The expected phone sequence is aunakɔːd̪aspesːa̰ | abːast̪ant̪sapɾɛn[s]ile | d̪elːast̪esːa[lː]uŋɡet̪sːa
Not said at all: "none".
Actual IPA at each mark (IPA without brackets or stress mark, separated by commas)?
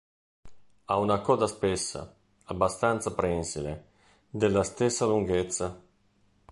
s, l